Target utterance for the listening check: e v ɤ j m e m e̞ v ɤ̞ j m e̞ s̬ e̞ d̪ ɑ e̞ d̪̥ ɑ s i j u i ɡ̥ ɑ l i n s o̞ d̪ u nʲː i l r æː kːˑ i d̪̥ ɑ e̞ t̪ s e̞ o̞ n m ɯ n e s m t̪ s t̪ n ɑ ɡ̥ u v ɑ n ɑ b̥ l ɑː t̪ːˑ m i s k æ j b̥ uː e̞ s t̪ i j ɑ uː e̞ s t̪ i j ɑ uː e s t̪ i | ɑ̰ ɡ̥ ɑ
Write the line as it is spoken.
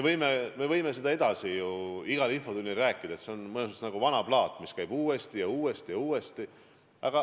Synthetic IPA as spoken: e v ɤ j m e m e̞ v ɤ̞ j m e̞ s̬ e̞ d̪ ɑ e̞ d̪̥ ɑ s i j u i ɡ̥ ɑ l i n f o̞ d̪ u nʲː i l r æː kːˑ i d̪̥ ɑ e̞ t̪ s e̞ o̞ n m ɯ n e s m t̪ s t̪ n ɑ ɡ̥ u v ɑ n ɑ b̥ l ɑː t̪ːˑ m i s k æ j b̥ uː e̞ s t̪ i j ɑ uː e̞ s t̪ i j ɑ uː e s t̪ i | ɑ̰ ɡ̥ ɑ